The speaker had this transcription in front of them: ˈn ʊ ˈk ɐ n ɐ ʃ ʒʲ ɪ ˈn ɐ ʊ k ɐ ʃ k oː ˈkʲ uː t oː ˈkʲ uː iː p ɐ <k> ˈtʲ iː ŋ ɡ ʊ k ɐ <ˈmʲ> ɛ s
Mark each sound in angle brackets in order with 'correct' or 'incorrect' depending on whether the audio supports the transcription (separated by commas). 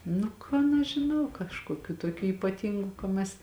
incorrect, correct